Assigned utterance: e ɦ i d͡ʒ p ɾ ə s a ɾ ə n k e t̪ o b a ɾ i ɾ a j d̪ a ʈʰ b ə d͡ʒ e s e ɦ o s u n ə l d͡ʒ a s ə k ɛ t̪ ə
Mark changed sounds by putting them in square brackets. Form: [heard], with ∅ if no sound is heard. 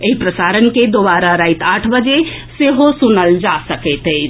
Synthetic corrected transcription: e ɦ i [∅] p ɾ ə s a ɾ ə n k e [d̪] o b a ɾ [a] ɾ a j [t̪] a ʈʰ b ə d͡ʒ e s e ɦ o s u n ə l d͡ʒ a s ə k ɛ t̪ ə